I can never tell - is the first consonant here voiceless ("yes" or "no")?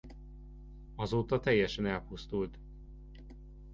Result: no